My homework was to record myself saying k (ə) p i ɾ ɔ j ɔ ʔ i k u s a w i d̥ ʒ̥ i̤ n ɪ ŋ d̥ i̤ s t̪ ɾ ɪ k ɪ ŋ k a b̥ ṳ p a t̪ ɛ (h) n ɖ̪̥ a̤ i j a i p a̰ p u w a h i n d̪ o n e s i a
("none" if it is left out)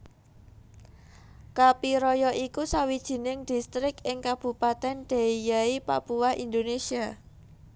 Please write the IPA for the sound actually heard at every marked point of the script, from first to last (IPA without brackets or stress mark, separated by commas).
a, none